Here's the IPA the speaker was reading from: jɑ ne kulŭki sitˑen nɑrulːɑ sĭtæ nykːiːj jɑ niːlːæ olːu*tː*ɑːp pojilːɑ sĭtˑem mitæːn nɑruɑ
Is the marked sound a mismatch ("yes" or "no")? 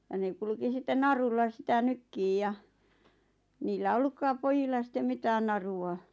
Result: yes